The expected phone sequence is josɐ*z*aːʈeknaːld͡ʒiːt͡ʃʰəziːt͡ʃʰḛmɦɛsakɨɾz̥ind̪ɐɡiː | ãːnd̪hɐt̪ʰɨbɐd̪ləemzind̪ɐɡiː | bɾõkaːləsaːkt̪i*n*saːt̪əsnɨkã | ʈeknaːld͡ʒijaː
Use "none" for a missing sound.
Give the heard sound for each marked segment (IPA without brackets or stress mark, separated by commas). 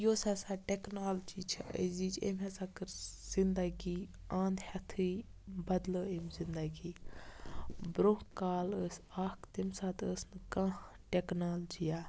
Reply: s, m